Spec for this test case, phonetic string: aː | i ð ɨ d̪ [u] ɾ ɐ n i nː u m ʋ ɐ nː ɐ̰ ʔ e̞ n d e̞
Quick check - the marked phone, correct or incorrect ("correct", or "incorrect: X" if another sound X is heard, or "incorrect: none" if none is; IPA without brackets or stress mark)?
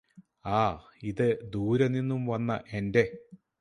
incorrect: uː